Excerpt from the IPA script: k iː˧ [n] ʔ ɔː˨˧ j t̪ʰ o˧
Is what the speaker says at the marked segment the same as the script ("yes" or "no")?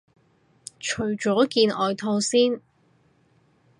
yes